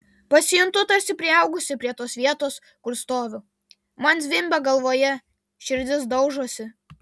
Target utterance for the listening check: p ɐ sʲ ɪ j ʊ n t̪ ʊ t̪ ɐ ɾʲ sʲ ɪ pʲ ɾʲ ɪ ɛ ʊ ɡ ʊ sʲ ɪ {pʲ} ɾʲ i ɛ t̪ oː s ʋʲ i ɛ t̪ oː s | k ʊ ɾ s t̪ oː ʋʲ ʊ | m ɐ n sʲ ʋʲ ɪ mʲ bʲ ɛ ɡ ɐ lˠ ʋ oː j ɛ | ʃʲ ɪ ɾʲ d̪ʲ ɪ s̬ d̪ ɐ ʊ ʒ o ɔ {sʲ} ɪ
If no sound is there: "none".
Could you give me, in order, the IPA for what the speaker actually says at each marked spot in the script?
pʲ, sʲ

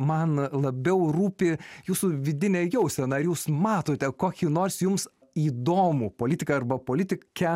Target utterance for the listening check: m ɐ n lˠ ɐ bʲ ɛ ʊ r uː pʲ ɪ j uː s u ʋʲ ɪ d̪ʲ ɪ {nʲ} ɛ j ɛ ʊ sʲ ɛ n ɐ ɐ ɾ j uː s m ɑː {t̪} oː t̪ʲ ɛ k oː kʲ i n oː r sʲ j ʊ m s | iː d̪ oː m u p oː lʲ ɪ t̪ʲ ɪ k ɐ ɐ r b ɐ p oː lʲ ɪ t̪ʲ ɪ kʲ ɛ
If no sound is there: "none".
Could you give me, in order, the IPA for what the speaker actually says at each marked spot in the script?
nʲ, t̪

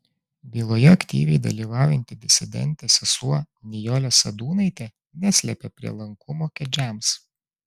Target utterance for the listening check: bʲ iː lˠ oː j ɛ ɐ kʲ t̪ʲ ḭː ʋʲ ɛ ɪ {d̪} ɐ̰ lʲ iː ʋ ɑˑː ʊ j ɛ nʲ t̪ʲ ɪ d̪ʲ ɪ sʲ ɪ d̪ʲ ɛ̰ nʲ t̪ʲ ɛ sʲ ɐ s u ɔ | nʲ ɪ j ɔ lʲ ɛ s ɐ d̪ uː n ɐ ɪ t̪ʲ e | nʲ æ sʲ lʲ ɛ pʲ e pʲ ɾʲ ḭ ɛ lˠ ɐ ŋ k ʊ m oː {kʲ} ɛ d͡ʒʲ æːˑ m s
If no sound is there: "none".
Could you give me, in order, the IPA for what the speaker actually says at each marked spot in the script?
d̪, kʲ

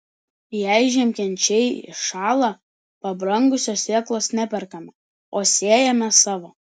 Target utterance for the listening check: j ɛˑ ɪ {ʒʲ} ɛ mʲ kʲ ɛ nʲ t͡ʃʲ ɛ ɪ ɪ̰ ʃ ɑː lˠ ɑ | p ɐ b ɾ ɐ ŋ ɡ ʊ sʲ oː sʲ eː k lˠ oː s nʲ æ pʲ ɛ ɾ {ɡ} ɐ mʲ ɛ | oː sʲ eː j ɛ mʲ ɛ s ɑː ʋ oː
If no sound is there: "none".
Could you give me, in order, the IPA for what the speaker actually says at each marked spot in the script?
ʒʲ, k

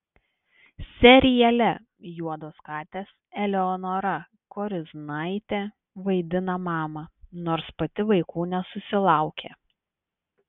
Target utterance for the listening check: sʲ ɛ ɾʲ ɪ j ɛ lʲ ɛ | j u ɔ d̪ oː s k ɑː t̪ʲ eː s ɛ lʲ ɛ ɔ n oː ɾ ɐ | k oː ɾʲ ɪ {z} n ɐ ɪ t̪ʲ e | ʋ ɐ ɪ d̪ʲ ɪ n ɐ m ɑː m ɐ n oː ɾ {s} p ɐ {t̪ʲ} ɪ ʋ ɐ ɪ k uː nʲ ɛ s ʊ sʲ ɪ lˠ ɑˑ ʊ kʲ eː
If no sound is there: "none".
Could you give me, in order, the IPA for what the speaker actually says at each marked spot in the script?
z, s, t̪ʲ

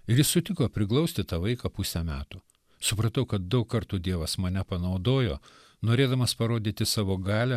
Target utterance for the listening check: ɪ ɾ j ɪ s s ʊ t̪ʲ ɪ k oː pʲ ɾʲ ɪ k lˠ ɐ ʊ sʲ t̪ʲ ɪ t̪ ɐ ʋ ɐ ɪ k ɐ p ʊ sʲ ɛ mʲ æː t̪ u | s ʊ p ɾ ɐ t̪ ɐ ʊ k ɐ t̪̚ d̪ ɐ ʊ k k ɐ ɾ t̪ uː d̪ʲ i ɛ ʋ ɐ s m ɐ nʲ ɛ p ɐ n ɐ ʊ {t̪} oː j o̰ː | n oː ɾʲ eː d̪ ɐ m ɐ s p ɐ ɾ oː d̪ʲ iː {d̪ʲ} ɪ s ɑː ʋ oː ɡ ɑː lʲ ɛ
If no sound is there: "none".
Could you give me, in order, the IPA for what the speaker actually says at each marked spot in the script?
d̪, t̪ʲ

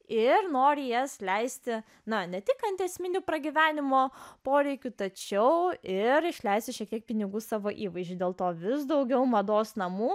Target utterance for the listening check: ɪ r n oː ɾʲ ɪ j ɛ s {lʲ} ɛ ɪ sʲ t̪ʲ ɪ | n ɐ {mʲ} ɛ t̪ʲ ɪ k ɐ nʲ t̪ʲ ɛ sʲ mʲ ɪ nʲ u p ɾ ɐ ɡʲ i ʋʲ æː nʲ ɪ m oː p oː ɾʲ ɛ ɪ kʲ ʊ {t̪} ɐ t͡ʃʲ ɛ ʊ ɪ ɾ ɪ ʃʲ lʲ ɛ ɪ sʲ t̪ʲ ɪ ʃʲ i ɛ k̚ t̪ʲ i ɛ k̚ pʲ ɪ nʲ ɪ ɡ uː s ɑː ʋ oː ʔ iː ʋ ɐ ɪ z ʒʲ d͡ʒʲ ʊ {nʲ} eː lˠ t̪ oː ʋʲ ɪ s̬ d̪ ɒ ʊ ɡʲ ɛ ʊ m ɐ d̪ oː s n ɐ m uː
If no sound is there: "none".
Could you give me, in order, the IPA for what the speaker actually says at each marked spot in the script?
lʲ, nʲ, t̪, dʲ

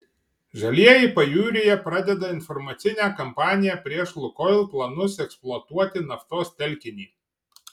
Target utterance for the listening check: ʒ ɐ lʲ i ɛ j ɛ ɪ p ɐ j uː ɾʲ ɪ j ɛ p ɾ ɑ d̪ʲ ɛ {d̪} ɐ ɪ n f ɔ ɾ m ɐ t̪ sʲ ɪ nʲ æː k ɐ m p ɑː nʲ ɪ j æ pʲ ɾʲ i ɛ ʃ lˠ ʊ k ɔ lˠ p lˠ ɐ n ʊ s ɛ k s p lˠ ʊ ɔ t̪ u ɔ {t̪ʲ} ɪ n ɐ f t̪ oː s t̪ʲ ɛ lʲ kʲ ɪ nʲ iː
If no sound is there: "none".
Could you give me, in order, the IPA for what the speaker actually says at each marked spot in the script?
d̪, t̪ʲ

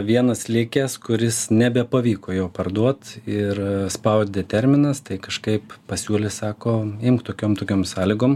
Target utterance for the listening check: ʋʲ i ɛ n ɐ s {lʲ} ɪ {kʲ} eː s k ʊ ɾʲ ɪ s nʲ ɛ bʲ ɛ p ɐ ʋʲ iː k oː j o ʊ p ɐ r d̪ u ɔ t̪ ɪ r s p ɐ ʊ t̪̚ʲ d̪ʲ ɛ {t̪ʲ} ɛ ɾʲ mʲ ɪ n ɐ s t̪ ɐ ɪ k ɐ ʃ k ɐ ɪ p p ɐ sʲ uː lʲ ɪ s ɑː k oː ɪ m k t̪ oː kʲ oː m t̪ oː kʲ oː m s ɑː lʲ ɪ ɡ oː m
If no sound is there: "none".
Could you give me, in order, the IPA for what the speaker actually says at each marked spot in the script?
lʲ, kʲ, t̪ʲ

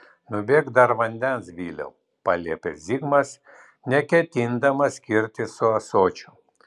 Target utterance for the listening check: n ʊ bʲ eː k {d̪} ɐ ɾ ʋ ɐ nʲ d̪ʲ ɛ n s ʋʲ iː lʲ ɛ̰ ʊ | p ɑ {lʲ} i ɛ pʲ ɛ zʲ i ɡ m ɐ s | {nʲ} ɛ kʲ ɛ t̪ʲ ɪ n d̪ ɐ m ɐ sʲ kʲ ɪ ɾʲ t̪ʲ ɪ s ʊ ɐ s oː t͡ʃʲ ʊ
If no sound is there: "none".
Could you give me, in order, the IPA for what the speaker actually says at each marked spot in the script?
d̪, lʲ, nʲ

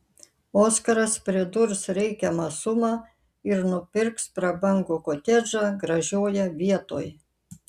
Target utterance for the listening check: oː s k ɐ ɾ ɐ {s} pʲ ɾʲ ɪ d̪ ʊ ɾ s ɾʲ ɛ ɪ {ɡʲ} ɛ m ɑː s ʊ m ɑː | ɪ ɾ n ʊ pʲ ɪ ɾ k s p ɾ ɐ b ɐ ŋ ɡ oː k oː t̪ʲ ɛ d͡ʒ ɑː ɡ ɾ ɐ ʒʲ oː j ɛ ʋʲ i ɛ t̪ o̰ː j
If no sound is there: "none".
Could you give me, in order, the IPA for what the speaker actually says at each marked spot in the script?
s, kʲ

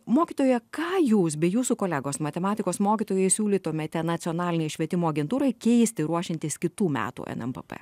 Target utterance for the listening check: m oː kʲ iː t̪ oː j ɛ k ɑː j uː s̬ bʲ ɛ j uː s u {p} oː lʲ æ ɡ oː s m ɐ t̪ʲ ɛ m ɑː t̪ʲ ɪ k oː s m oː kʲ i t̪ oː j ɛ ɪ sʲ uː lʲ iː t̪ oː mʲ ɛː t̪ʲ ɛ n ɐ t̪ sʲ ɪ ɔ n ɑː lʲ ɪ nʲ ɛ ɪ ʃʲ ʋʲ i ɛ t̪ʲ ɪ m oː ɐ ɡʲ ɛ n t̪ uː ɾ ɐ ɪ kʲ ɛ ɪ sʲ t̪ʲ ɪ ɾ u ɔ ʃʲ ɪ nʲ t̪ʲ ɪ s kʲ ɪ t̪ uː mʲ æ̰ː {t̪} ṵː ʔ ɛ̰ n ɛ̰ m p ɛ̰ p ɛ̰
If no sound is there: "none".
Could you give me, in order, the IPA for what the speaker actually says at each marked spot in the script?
k, t̪

